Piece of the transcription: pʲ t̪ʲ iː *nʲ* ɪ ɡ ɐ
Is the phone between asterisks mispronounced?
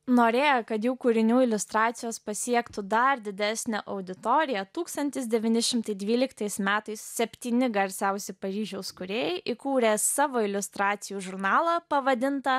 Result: no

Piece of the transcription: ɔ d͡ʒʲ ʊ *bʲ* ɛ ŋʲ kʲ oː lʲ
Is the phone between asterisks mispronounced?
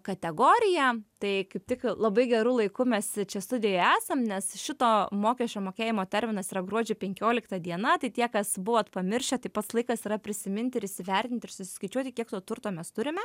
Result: yes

